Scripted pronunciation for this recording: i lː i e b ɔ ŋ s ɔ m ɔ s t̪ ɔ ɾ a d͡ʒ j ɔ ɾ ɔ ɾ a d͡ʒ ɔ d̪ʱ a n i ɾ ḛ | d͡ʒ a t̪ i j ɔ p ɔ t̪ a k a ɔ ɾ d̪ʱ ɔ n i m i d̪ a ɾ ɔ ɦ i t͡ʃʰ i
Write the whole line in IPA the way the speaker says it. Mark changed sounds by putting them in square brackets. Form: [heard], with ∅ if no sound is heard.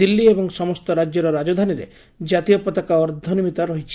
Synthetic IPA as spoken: i lː i e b ɔ ŋ s ɔ m ɔ s t̪ ɔ ɾ a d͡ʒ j ɔ ɾ ɔ ɾ a d͡ʒ ɔ d̪ʱ a n i ɾ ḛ | d͡ʒ a t̪ i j ɔ p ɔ t̪ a k a ɔ ɾ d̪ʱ ɔ n i m i [t̪] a ɾ ɔ ɦ i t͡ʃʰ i